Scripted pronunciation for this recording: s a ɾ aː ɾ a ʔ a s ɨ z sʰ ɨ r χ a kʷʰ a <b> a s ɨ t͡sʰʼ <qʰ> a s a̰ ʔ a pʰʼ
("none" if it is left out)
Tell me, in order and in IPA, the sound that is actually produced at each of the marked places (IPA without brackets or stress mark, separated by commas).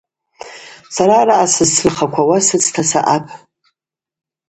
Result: w, tʰ